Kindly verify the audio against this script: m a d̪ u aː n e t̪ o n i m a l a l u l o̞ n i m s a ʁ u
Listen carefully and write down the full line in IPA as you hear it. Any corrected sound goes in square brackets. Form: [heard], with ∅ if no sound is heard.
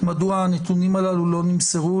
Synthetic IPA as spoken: m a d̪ u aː n e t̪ [u] n i m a l a l u l o̞ n i m s [e] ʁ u